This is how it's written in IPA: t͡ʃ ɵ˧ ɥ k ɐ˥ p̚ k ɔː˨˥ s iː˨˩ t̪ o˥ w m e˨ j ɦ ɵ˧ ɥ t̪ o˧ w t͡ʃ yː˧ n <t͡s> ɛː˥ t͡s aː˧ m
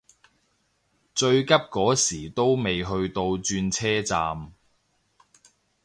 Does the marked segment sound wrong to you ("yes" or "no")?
yes